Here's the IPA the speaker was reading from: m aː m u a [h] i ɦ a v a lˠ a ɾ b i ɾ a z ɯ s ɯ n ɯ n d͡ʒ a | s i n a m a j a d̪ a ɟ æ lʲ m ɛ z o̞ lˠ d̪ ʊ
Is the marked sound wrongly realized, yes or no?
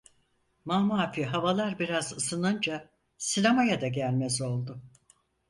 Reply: yes